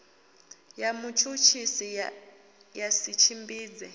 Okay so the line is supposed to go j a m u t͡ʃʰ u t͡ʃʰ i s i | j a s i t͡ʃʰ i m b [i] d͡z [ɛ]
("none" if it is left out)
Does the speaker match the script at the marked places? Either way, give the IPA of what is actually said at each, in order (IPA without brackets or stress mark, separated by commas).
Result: iː, ɛ